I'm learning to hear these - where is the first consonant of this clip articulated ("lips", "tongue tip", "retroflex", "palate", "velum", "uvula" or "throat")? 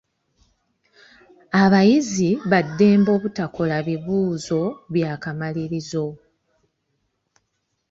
lips